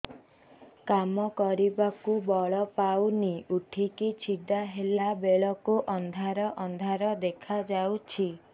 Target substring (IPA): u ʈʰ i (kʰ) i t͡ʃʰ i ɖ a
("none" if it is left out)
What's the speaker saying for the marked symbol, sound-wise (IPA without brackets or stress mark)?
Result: k